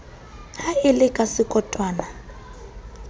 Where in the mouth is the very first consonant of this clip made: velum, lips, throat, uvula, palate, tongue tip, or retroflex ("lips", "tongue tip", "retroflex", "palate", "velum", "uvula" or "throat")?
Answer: throat